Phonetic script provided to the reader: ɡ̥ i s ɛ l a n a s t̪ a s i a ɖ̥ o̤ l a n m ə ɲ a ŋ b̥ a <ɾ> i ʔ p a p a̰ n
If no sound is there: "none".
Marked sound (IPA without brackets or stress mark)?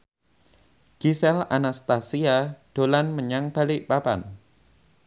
l